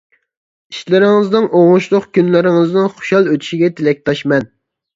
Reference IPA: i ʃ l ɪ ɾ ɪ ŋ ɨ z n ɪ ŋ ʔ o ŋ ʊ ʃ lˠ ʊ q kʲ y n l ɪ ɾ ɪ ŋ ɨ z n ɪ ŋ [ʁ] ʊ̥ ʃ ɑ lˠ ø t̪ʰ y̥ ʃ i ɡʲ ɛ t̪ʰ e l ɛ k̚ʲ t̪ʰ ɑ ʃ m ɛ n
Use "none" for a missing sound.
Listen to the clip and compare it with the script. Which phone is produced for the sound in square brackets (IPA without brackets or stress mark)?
χ